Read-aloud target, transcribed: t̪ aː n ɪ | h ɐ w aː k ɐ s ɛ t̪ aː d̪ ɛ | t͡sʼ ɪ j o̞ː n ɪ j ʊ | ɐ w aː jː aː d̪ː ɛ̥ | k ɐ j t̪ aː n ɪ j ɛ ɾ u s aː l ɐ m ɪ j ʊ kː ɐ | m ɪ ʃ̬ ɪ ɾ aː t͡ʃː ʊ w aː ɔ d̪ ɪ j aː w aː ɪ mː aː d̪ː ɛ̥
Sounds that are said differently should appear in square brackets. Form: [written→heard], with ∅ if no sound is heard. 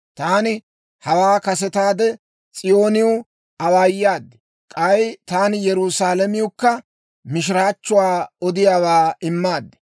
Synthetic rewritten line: t̪ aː n ɪ | h ɐ w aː k ɐ s ɛ t̪ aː d̪ ɛ | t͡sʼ ɪ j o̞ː n ɪ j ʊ | ɐ w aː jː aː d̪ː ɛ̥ | [k→kʼ] ɐ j t̪ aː n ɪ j ɛ ɾ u s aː l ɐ m ɪ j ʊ kː ɐ | m ɪ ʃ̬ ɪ ɾ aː t͡ʃː ʊ w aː ɔ d̪ ɪ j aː w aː ɪ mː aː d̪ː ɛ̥

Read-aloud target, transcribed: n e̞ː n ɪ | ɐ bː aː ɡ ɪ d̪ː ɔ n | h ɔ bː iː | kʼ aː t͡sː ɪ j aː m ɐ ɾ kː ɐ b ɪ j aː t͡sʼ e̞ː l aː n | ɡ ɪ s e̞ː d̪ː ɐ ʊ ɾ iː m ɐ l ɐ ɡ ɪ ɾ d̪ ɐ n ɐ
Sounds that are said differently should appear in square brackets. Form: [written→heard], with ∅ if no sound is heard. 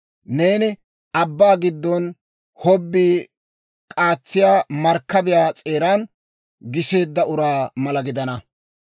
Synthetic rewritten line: n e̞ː n ɪ | ɐ bː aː ɡ ɪ d̪ː ɔ n | h ɔ bː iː | kʼ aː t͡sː ɪ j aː m ɐ ɾ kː ɐ b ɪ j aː t͡sʼ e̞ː [l→ɾ] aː n | ɡ ɪ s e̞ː d̪ː ɐ ʊ ɾ [iː→aː] m ɐ l ɐ ɡ ɪ [ɾ→∅] d̪ ɐ n ɐ

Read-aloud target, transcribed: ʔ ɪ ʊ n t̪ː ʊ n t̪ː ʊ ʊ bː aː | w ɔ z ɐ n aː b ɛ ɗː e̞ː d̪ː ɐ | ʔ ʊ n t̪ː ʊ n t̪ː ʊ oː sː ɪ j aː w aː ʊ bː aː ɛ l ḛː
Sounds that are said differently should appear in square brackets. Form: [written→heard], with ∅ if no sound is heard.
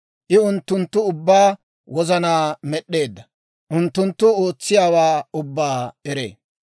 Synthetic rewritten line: ʔ ɪ ʊ n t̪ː ʊ n t̪ː ʊ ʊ bː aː | w ɔ z ɐ n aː [b→m] ɛ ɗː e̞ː d̪ː ɐ | ʔ ʊ n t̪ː ʊ n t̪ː ʊ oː [sː→t͡sː] ɪ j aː w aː ʊ bː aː ɛ [l→ɾ] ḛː

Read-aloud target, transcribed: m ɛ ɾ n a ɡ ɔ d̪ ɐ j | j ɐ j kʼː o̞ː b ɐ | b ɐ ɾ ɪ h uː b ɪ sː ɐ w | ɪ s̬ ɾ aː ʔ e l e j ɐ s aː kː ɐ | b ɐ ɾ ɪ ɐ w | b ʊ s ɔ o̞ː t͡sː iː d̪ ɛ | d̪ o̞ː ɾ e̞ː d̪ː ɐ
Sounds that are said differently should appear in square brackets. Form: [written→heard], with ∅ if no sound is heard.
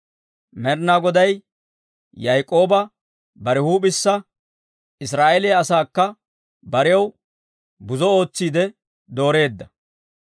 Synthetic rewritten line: m ɛ ɾ n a ɡ ɔ d̪ ɐ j | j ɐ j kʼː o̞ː b ɐ | b ɐ ɾ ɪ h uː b ɪ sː ɐ [w→∅] | ɪ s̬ ɾ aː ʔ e l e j ɐ s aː kː ɐ | b ɐ ɾ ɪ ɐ w | b ʊ [s→z] ɔ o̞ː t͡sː iː d̪ ɛ | d̪ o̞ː ɾ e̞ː d̪ː ɐ

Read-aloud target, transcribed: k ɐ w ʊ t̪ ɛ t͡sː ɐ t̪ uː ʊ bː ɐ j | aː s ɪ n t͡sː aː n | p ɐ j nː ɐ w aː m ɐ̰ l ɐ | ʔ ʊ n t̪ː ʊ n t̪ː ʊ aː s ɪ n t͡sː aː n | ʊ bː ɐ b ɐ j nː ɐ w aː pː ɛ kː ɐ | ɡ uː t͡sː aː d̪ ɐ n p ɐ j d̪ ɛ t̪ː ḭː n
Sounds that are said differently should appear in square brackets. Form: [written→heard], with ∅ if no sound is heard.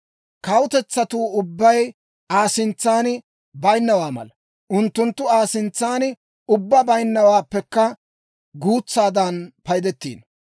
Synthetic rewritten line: k ɐ w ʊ t̪ ɛ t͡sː ɐ t̪ uː ʊ bː ɐ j | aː s ɪ n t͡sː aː n | [p→b] ɐ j nː ɐ w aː m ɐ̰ l ɐ | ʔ ʊ n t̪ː ʊ n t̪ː ʊ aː s ɪ n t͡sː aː n | ʊ bː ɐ b ɐ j nː ɐ w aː pː ɛ kː ɐ | ɡ uː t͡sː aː d̪ ɐ n p ɐ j d̪ ɛ t̪ː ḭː n

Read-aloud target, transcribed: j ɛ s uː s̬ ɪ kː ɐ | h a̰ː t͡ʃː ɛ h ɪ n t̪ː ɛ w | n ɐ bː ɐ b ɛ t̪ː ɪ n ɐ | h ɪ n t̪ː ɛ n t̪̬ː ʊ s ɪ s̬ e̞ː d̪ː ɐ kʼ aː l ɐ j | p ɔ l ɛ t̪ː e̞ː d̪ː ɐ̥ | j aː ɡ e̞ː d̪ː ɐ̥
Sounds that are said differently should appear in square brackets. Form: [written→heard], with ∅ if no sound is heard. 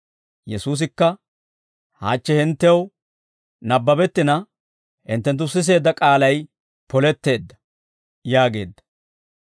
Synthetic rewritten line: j ɛ s uː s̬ ɪ kː ɐ | h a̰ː t͡ʃː ɛ h ɪ n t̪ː ɛ w | n ɐ bː ɐ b ɛ t̪ː ɪ n ɐ | h ɪ n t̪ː ɛ n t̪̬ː ʊ s ɪ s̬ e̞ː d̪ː ɐ kʼ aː l ɐ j | p ɔ l ɛ t̪ː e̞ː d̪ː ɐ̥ | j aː ɡ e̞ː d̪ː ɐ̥

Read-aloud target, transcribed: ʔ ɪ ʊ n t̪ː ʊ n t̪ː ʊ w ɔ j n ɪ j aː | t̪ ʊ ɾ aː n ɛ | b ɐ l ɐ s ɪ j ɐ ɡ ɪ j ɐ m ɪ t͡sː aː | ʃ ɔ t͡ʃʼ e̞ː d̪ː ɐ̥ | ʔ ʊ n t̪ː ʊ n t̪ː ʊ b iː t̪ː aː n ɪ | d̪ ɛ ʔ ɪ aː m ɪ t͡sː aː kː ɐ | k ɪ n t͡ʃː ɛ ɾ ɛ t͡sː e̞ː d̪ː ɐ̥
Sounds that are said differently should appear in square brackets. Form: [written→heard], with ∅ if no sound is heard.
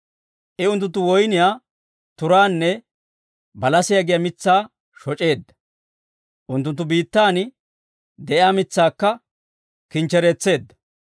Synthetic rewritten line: ʔ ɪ ʊ n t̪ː ʊ n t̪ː ʊ w ɔ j n ɪ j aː | t̪ ʊ ɾ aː [n→nː] ɛ | b ɐ l ɐ s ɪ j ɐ ɡ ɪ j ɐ m ɪ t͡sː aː | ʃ ɔ t͡ʃʼ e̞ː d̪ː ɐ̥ | ʔ ʊ n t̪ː ʊ n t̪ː ʊ b iː t̪ː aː n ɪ | d̪ ɛ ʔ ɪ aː m ɪ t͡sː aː kː ɐ | k ɪ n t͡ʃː ɛ ɾ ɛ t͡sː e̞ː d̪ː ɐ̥

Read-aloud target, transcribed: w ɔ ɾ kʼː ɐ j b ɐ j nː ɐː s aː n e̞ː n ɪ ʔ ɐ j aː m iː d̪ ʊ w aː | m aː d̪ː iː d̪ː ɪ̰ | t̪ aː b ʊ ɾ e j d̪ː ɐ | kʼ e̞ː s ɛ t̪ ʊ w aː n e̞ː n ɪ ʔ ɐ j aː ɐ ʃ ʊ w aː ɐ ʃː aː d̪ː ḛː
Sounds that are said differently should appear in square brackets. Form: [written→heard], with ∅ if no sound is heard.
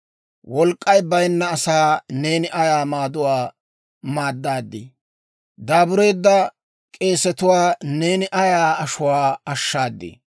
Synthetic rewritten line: w ɔ [ɾ→l] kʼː ɐ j b ɐ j nː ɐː s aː n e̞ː n ɪ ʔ ɐ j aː m [iː→aː] d̪ ʊ w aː | m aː d̪ː [iː→aː] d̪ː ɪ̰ | [t̪→d̪] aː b ʊ ɾ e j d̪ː ɐ | kʼ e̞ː s ɛ t̪ ʊ w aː n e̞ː n ɪ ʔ ɐ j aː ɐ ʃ ʊ w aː ɐ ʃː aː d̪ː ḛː

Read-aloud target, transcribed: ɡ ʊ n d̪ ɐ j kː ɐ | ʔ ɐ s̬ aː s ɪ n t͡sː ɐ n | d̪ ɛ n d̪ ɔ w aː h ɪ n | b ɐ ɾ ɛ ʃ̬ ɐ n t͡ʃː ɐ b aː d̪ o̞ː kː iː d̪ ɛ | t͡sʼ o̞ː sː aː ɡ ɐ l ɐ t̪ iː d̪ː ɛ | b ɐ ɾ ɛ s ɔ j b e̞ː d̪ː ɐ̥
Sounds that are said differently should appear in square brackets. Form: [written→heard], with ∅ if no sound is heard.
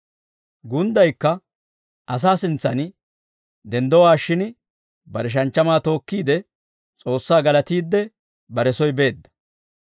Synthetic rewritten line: ɡ ʊ n d̪ ɐ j kː ɐ | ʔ ɐ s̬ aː s ɪ n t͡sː ɐ n | d̪ ɛ n d̪ ɔ w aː [h→ʃ] ɪ n | b ɐ ɾ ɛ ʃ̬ ɐ n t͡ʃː ɐ [b→m] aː [d̪→t̪] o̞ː kː iː d̪ ɛ | t͡sʼ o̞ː sː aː ɡ ɐ l ɐ t̪ iː d̪ː ɛ | b ɐ ɾ ɛ s ɔ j b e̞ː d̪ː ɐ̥

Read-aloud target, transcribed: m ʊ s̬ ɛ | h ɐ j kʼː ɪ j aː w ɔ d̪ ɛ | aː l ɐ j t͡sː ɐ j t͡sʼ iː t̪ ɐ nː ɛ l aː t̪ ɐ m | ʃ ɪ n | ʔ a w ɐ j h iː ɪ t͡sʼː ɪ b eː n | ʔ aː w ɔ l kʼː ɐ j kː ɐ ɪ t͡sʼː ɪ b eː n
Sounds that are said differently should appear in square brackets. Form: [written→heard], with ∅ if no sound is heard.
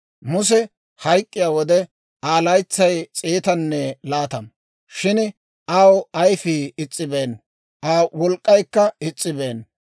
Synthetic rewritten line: m ʊ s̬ ɛ | h ɐ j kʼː ɪ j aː w ɔ d̪ ɛ | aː l ɐ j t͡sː ɐ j t͡sʼ iː t̪ ɐ nː ɛ l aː t̪ ɐ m | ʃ ɪ n | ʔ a w ɐ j [h→f] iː ɪ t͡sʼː ɪ b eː n | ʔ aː w ɔ l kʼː ɐ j kː ɐ ɪ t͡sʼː ɪ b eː n

